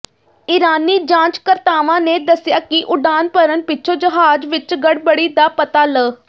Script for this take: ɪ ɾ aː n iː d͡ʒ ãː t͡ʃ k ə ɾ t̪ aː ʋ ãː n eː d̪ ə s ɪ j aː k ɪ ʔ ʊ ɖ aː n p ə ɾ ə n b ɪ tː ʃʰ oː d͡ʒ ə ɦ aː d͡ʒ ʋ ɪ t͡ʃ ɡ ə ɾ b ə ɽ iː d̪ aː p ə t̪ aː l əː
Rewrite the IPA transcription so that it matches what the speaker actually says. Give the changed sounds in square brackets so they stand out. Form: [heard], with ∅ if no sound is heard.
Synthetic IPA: ɪ ɾ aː n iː d͡ʒ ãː t͡ʃ k ə ɾ t̪ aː ʋ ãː n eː d̪ ə s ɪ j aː k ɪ ʔ ʊ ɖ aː n p ə ɾ ə n [p] ɪ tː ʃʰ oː d͡ʒ ə ɦ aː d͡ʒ ʋ ɪ t͡ʃ ɡ ə [ɽ] b ə ɽ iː d̪ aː p ə t̪ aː l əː